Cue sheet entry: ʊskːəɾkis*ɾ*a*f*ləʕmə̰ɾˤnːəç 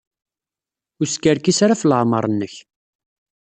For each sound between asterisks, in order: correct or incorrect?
correct, correct

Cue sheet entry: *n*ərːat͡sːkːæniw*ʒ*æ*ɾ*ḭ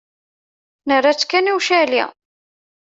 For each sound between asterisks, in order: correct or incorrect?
correct, incorrect: ʃ, incorrect: l

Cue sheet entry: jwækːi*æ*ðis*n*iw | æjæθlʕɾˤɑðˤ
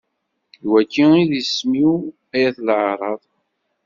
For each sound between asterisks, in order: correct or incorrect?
incorrect: i, incorrect: m

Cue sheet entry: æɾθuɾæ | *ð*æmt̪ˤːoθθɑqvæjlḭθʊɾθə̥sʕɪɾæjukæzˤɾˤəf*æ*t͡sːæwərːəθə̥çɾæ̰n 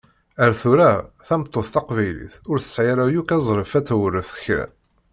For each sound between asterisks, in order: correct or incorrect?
incorrect: θ, correct

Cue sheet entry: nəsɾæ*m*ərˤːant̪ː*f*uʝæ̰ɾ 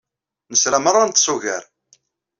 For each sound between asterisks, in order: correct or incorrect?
correct, incorrect: s

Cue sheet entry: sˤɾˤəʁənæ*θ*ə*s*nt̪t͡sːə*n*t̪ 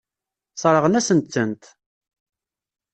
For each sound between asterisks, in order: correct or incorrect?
incorrect: s, incorrect: none, correct

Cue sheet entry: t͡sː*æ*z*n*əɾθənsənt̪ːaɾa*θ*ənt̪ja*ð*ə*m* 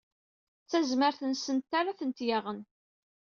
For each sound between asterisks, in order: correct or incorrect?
correct, incorrect: m, correct, incorrect: ʁ, incorrect: n

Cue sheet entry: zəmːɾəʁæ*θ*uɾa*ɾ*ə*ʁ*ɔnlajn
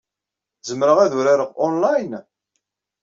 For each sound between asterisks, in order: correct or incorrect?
incorrect: ð, correct, correct

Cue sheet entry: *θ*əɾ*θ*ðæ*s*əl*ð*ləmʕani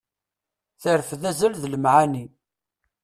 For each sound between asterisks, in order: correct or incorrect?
correct, incorrect: f, incorrect: z, correct

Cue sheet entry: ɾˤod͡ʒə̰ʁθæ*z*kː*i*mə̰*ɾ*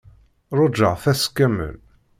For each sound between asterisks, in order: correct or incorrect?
incorrect: s, incorrect: æ, incorrect: l

